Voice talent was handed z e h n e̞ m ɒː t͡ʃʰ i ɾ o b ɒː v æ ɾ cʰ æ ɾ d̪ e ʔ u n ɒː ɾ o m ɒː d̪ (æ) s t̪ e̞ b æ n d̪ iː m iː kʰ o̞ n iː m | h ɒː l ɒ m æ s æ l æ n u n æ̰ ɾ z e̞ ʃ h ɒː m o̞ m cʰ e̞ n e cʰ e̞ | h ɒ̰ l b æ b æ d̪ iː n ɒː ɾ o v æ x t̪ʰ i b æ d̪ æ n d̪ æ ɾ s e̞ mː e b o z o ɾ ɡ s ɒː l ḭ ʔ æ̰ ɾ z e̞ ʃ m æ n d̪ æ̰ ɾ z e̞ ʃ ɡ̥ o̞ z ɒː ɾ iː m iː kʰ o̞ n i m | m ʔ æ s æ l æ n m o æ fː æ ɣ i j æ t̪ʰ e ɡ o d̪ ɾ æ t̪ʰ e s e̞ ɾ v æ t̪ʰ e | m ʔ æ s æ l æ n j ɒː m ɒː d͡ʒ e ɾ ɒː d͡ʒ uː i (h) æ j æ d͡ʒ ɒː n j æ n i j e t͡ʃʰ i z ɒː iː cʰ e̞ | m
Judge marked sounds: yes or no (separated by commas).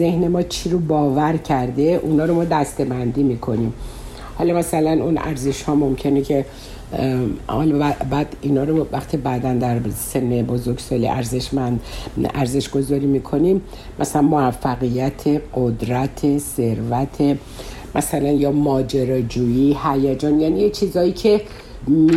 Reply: yes, yes